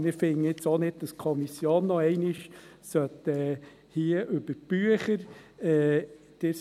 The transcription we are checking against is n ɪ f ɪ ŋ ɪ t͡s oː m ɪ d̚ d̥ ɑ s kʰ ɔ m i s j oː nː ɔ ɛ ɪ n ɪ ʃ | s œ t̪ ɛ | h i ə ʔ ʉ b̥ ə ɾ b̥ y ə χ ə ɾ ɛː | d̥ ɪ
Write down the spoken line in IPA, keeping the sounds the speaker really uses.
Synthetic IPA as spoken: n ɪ f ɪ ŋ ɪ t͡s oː n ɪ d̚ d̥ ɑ s kʰ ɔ m i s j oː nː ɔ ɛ ɪ n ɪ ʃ | s œ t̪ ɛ | h i ə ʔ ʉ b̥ ə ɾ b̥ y ə χ ə ɾ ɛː | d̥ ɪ